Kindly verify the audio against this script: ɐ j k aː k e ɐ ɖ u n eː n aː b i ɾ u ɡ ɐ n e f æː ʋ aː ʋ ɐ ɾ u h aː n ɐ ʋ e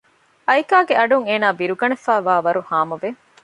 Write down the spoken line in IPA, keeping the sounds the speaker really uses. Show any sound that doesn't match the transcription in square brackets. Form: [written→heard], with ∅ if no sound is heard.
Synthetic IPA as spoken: ɐ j k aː [k→ɡ] e ɐ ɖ u [n→ŋ] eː n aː b i ɾ u ɡ ɐ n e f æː ʋ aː ʋ ɐ ɾ u h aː [n→m] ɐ ʋ e

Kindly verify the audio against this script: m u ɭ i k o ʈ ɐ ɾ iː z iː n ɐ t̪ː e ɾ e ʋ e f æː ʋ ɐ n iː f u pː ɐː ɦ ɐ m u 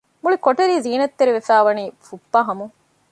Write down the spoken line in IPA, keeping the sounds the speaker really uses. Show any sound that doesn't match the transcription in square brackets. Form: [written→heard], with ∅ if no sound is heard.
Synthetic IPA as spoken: m u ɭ i k o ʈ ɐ ɾ iː z iː n ɐ t̪ː e ɾ [e→i] ʋ e f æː ʋ ɐ n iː f u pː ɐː ɦ ɐ m u

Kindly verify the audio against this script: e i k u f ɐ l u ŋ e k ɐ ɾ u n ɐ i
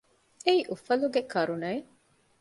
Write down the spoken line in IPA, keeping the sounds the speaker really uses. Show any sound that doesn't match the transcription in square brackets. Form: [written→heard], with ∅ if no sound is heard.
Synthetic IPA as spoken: e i [k→ʔ] u f ɐ l u [ŋ→ɡ] e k ɐ ɾ u n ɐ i

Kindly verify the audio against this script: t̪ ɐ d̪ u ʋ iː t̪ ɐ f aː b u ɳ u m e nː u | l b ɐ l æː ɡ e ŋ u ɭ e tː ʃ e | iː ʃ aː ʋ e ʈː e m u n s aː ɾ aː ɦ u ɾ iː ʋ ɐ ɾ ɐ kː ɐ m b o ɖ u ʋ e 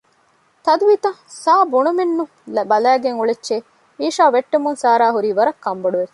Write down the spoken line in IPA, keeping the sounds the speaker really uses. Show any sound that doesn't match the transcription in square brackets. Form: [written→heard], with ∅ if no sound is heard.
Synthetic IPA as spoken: t̪ ɐ d̪ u ʋ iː t̪ ɐ [f→s] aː b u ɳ u m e nː u | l b ɐ l æː ɡ e ŋ u ɭ e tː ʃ e | iː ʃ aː ʋ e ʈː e m u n s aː ɾ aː ɦ u ɾ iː ʋ ɐ ɾ ɐ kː ɐ m b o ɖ u ʋ e

